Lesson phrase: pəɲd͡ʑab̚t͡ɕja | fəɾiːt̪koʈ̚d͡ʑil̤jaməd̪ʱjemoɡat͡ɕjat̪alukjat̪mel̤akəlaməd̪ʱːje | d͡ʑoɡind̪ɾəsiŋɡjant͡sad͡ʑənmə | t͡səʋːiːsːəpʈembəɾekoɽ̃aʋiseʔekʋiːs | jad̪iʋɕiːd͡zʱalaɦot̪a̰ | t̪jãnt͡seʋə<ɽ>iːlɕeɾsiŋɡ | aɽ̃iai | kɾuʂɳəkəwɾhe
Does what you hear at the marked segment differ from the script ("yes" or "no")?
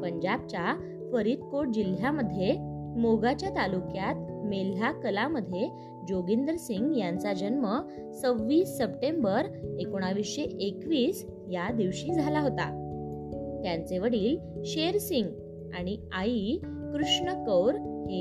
no